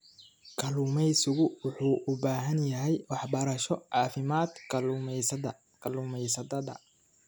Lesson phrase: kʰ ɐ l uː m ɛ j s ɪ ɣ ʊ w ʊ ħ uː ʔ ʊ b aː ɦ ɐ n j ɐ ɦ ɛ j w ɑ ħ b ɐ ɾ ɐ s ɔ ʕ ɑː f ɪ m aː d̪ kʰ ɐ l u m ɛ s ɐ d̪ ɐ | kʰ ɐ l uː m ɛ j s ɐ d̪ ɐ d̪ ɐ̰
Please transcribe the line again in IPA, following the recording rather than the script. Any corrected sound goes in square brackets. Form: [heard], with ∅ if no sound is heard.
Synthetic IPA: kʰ ɐ l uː m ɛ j s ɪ ɣ ʊ w ʊ ħ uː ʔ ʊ b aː ɦ ɐ n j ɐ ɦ ɛ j w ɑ ħ b ɐ ɾ ɐ [ʃ] ɔ ʕ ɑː f ɪ m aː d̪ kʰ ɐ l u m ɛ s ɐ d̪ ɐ | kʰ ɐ l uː m ɛ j s ɐ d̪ ɐ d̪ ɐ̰